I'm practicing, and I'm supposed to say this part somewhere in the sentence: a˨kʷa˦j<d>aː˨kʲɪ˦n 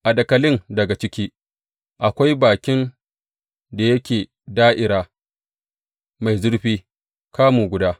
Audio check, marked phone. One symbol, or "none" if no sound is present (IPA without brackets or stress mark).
b